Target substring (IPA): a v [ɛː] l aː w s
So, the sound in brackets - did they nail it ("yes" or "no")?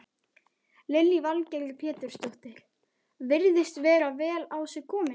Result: yes